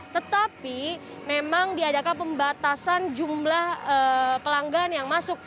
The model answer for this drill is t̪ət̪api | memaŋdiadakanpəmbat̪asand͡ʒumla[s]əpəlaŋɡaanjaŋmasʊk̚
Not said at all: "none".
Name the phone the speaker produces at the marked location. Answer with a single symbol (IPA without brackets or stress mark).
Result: h